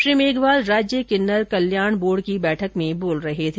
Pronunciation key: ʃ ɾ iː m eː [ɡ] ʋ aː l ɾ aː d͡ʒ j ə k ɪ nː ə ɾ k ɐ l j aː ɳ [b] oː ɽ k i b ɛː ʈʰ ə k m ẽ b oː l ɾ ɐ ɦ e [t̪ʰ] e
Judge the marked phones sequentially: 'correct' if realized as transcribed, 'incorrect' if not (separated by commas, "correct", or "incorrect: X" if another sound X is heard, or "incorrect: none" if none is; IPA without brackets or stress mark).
correct, correct, correct